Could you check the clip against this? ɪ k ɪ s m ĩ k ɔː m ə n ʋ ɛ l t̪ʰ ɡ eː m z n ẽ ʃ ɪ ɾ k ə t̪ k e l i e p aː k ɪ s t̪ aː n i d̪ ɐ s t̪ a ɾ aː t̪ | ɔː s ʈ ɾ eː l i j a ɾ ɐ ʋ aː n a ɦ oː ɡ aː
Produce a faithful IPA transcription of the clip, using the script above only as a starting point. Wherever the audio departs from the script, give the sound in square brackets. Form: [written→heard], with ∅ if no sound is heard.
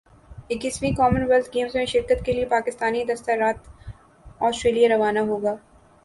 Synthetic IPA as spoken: ɪ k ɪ s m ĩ k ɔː m ə n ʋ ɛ l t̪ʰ ɡ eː m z [n→m] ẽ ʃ ɪ ɾ k ə t̪ k e l i e p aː k ɪ s t̪ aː n i d̪ ɐ s t̪ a ɾ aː t̪ | ɔː s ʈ ɾ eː l i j a ɾ ɐ ʋ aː n a ɦ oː ɡ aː